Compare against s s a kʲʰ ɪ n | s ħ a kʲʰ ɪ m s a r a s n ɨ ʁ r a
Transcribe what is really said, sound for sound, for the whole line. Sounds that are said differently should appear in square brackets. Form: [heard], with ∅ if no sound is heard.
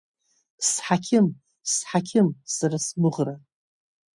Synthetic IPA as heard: s [ħ] a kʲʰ ɪ [m] | s ħ a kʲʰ ɪ m s a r a s [m] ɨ ʁ r a